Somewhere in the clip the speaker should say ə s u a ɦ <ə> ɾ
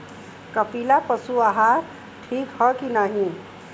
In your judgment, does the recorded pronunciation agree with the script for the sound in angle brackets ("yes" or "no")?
no